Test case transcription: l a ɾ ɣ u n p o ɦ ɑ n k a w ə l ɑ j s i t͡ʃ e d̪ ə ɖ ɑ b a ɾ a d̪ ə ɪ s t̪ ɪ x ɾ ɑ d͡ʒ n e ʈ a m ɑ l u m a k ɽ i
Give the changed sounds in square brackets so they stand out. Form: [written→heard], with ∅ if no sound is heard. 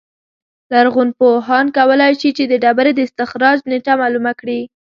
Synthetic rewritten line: l a ɾ ɣ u n p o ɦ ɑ n k a w ə l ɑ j [s→ʃ] i t͡ʃ e d̪ ə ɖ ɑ b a ɾ [a→e] d̪ ə ɪ s t̪ ɪ x ɾ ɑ d͡ʒ n e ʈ a m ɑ l u m a k ɽ i